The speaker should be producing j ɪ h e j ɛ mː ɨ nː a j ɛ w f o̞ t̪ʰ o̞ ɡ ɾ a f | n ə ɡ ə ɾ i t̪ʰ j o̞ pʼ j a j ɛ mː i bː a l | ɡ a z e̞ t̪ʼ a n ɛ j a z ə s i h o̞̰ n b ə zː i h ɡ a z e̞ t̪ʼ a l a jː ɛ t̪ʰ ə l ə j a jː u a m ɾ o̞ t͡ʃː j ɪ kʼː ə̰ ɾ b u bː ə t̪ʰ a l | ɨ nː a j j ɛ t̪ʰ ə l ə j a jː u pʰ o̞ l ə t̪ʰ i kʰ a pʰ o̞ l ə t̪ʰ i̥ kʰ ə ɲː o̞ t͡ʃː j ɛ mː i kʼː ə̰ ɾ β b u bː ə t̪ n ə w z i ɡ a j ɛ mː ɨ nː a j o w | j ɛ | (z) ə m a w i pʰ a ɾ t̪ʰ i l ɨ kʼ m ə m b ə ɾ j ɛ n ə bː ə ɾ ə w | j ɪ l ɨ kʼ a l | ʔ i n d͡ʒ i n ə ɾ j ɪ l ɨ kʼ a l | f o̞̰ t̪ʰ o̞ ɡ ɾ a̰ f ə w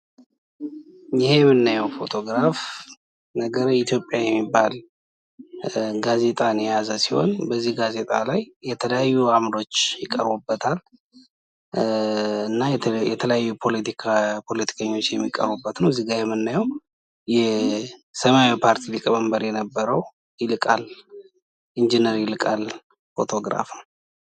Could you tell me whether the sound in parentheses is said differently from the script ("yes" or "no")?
yes